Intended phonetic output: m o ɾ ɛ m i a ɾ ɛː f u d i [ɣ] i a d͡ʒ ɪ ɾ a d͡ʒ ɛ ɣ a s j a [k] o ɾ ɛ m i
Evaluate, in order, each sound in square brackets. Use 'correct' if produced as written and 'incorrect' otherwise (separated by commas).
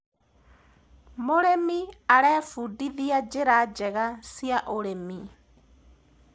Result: incorrect, incorrect